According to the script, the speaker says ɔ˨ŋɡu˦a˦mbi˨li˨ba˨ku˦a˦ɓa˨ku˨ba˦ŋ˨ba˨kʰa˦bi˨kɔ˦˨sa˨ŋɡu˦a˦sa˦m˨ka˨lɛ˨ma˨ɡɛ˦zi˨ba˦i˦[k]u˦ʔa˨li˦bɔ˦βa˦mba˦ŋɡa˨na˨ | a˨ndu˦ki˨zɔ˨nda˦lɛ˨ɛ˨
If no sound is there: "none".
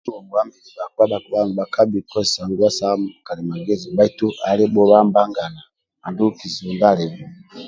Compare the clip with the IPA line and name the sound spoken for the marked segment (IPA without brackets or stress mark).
t